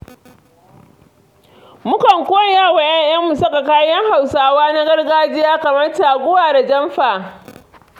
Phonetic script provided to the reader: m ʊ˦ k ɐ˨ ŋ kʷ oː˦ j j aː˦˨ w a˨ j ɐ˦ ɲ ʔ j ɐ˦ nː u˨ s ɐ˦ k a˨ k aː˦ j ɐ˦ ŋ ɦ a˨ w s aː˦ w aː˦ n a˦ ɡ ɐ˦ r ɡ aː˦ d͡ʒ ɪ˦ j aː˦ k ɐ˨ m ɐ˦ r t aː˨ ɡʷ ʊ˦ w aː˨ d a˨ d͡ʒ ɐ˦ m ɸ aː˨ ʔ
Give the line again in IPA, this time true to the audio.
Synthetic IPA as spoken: m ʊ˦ k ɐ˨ ŋ kʷ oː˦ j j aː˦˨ w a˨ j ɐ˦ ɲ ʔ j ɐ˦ mː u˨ s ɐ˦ k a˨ k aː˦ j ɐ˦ ŋ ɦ a˨ w s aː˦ w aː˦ n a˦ ɡ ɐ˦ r ɡ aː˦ d͡ʒ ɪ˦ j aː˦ k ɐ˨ m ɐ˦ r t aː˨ ɡʷ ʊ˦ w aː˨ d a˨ d͡ʒ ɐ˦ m ɸ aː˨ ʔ